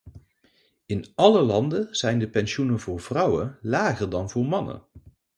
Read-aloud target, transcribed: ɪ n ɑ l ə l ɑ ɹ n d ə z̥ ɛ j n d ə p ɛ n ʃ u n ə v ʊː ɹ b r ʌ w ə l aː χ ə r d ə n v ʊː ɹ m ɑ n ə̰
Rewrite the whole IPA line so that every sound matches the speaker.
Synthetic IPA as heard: ɪ n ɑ l ə l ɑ n d ə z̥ ɛ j n d ə p ɛ n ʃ u n ə v ʊː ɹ v r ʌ w ə l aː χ ə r d ɑ n v ʊː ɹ m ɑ n ə̰